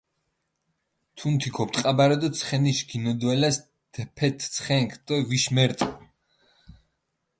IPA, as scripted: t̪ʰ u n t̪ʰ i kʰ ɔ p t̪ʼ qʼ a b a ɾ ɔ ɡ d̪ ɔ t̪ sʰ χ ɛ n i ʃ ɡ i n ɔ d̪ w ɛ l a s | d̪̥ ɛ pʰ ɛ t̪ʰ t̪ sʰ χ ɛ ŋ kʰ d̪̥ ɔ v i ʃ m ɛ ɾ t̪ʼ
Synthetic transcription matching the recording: t̪ʰ u n t̪ʰ i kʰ ɔ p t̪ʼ qʼ a b a ɾ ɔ d̪ ɔ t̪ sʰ χ ɛ n i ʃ ɡ i n ɔ d̪ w ɛ l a s | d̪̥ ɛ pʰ ɛ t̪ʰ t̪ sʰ χ ɛ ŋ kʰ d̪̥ ɔ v i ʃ m ɛ ɾ t̪ʼ